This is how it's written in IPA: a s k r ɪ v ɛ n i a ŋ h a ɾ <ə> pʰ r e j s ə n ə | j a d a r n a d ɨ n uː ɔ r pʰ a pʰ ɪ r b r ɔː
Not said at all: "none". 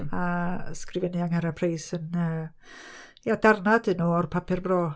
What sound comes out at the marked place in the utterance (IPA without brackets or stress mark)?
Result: a